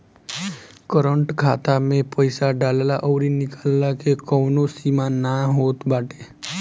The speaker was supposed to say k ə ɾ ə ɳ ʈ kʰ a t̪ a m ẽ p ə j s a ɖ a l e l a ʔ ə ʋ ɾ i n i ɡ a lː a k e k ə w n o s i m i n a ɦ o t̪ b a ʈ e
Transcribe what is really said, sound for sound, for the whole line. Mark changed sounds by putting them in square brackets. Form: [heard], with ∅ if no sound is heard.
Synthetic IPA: k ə ɾ ə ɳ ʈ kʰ a t̪ a m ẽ p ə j s a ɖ a l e l a ʔ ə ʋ ɾ i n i [k] a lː a k e k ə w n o s i m [a] n a ɦ o t̪ b a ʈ e